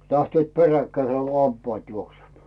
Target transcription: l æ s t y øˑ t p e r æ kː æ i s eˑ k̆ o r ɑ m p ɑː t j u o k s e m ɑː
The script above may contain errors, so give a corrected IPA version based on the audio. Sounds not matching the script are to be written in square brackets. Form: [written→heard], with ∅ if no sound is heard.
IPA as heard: l æ [s→h] t y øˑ t p e r æ kː æ i s eˑ k̆ o [r→l] ɑ m p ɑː t j u o k s e m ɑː